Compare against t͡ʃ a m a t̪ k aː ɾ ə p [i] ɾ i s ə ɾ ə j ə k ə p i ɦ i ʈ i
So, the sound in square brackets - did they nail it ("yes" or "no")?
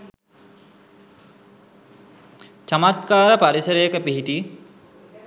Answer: no